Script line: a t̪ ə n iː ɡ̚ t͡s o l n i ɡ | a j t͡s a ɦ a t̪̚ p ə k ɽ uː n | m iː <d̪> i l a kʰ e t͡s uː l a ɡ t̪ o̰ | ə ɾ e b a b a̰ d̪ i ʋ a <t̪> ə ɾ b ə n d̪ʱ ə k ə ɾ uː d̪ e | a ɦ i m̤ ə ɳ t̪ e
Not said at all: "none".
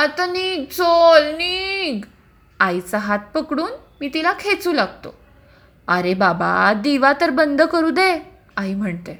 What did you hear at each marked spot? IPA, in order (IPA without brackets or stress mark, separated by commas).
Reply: t̪, t̪